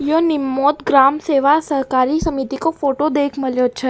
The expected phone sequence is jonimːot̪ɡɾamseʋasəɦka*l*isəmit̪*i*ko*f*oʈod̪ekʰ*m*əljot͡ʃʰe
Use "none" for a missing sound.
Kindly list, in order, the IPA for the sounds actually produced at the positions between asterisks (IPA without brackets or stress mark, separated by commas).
ɾ, i, f, m